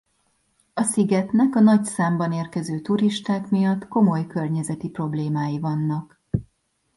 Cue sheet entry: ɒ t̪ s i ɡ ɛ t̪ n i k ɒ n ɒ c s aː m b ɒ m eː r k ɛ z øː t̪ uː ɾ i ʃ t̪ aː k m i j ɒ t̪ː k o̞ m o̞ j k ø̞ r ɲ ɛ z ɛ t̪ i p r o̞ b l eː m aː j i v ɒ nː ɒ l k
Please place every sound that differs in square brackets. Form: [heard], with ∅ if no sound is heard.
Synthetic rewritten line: ɒ [∅] s i ɡ ɛ t̪ n [ɛ] k ɒ n ɒ c s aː m b ɒ [n] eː r k ɛ z øː t̪ [u] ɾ i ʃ t̪ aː k m i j ɒ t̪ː k o̞ m o̞ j k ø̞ r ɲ ɛ z ɛ t̪ i p r o̞ b l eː m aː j i v ɒ nː ɒ [∅] k